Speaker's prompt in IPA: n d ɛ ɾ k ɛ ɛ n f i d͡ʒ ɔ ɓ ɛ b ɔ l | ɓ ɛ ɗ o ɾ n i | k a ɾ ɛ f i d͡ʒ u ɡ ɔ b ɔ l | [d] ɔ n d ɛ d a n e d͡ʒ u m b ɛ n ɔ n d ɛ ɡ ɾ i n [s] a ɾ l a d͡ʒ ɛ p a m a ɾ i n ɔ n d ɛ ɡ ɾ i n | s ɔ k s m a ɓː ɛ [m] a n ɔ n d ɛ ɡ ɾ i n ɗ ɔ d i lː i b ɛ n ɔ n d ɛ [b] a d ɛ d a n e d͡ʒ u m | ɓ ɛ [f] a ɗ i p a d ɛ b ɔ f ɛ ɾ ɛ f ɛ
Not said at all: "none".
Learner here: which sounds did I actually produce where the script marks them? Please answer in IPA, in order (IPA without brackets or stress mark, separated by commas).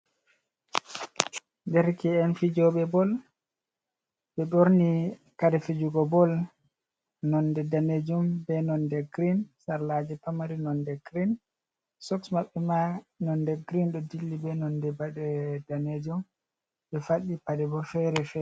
n, s, m, b, f